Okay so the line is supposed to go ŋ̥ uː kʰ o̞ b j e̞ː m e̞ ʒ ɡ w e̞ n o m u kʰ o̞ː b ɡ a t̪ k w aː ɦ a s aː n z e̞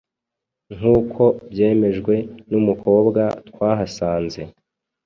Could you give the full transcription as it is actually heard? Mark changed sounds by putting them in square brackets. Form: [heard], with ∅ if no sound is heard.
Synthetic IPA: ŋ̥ uː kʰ o̞ b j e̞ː m e̞ ʒ ɡ w e̞ n [u] m u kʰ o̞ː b ɡ a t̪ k w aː ɦ a s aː n z e̞

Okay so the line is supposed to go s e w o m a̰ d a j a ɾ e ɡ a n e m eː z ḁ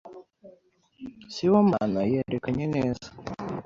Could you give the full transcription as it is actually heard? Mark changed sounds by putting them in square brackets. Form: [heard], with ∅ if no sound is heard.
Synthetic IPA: s [i] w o m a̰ [n] a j [e] ɾ e [k] a [ɲ] e [n] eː z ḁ

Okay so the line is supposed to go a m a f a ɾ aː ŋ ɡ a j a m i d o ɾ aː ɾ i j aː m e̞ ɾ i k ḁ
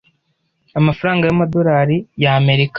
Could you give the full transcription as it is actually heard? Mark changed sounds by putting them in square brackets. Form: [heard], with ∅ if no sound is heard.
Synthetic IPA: a m a f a ɾ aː ŋ ɡ a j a m [a] d o ɾ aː ɾ i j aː m e̞ ɾ i k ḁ

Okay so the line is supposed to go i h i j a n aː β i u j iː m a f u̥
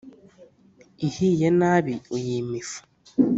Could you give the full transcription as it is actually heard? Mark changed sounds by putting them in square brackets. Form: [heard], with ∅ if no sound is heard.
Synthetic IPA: i h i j [e] n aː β i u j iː m [i] f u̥

